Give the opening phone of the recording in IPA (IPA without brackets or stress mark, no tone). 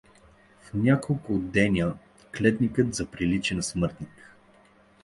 f